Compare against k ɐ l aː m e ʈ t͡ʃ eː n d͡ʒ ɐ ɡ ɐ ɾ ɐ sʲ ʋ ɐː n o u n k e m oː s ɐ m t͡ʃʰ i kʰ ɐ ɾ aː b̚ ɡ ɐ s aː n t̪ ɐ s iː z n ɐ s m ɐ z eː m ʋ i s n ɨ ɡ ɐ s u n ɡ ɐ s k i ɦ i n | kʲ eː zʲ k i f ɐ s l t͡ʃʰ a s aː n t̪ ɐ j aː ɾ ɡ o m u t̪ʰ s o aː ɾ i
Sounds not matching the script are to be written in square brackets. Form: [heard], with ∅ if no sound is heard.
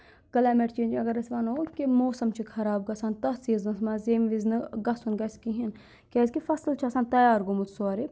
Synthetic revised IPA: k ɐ l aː m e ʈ t͡ʃ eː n d͡ʒ ɐ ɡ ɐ ɾ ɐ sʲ ʋ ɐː n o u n k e m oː s ɐ m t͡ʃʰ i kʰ ɐ ɾ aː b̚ ɡ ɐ s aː n t̪ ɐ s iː z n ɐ s m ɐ z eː m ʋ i [z] n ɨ ɡ ɐ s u n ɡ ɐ s k i ɦ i n | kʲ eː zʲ k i f ɐ s l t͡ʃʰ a s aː n t̪ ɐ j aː ɾ ɡ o m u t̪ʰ s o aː ɾ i